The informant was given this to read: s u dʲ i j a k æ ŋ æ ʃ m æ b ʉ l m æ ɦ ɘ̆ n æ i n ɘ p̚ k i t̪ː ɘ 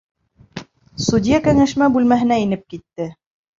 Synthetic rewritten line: s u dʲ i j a k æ ŋ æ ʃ m æ b ʉ l m æ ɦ ɘ̆ n æ i n ɘ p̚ k i t̪ː ɘ